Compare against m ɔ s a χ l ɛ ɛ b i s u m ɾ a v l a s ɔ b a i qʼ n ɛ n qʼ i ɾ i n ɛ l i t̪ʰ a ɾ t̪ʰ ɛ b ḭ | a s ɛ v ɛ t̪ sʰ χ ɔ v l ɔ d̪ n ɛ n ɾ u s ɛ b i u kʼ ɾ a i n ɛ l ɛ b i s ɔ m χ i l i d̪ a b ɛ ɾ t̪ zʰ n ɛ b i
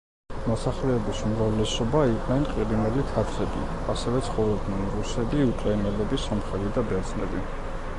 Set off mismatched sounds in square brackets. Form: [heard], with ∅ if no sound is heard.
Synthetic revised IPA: m ɔ s a χ l ɛ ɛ b i s u m ɾ a v l [ɛ] s ɔ b a i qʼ n ɛ n qʼ i ɾ i n ɛ l i t̪ʰ a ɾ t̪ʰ ɛ b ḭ | a s ɛ v ɛ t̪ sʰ χ ɔ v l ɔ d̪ n ɛ n ɾ u s ɛ b i u kʼ ɾ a i n ɛ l ɛ b i s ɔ m χ [ɛ] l i d̪ a b ɛ ɾ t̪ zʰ n ɛ b i